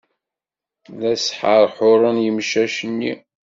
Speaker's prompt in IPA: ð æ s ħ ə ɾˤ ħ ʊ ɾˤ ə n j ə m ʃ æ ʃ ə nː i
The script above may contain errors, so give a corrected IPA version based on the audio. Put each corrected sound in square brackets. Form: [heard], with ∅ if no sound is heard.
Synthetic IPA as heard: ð æ s ħ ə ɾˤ ħ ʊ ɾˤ ə n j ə m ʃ æ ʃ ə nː i